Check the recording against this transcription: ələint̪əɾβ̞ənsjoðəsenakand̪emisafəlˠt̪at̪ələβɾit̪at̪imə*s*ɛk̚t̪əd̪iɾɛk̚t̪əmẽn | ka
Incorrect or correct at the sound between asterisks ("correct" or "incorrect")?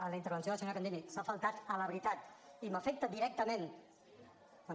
incorrect